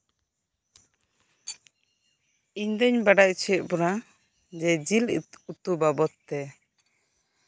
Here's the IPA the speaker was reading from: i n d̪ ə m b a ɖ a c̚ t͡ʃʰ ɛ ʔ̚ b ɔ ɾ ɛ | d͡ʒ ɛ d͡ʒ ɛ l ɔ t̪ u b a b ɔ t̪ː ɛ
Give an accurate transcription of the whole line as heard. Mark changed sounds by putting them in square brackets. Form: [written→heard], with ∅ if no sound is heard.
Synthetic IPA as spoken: i [n→ɲ] d̪ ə [m→ɲ] b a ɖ a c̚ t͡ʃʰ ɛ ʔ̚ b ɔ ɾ [ɛ→a] | d͡ʒ ɛ d͡ʒ [ɛ→i] l [ɔ→u] t̪ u b a b ɔ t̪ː ɛ